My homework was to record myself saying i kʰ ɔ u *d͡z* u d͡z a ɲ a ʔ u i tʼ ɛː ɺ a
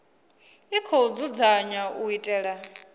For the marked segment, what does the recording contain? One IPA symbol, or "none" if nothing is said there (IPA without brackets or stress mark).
d͡z